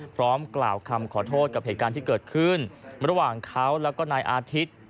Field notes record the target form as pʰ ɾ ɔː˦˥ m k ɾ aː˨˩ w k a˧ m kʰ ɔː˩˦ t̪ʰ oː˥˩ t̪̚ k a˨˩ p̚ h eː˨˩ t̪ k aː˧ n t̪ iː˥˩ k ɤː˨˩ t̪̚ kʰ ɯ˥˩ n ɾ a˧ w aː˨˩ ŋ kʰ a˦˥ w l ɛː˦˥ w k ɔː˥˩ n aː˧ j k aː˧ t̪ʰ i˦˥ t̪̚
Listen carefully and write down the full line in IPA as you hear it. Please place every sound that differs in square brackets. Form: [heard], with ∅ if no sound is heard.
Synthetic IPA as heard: pʰ ɾ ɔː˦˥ m k [l] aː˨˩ w [kʰ] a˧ m kʰ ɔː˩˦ t̪ʰ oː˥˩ t̪̚ k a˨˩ p̚ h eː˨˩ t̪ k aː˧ n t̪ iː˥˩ k ɤː˨˩ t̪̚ kʰ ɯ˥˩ n ɾ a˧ w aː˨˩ ŋ kʰ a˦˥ w l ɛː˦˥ w k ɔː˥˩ n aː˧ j [ʔ] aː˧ t̪ʰ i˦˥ t̪̚